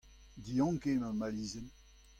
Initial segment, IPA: d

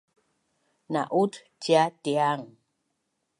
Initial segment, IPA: n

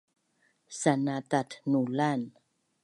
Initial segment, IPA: s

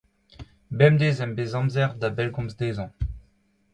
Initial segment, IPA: b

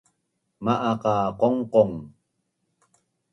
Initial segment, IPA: m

